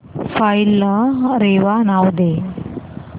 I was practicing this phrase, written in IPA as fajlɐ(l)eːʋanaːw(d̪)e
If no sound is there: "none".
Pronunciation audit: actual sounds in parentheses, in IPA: ɾ, d̪

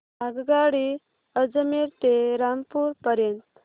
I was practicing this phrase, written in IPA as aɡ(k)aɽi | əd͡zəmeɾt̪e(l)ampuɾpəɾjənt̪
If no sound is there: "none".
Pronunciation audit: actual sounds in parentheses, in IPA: ɡ, ɾ

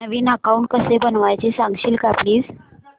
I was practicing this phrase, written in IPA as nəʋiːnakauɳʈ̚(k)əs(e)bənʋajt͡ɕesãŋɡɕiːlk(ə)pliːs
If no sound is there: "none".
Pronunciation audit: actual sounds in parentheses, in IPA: k, e, a

